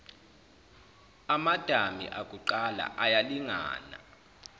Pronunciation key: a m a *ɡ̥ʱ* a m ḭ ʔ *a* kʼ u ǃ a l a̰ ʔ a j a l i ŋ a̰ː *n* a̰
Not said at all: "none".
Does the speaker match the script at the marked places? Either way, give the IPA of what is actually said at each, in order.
d̥ʱ, a, n

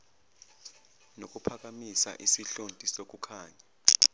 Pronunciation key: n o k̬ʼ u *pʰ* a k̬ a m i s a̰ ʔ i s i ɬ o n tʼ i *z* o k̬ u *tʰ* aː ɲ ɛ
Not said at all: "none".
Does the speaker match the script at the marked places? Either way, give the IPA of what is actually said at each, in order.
pʰ, s, kʰ

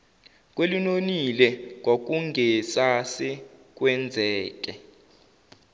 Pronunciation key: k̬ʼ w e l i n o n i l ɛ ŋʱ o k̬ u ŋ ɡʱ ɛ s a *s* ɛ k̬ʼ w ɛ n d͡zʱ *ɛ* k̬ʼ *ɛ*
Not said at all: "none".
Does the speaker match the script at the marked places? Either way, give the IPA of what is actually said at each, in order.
s, ɛː, ɛ

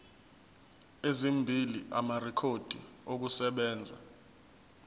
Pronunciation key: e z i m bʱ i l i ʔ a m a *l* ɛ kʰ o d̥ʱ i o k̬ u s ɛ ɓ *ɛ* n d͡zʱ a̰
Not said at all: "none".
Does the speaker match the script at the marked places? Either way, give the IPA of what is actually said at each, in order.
r, ɛː

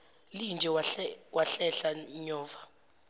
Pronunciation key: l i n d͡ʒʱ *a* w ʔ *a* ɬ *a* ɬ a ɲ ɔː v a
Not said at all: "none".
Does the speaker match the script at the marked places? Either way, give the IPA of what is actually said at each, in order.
ɛ, a, ɛ

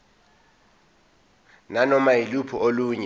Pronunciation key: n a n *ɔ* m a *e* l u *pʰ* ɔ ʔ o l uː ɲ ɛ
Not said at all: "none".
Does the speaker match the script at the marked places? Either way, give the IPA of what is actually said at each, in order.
ɔ, i, pʰ

